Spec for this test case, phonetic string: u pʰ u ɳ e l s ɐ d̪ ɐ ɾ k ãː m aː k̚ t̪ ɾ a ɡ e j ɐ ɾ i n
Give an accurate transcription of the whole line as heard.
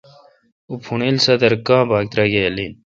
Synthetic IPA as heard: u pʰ u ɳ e l s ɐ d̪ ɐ ɾ k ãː b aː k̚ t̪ ɾ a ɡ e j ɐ l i n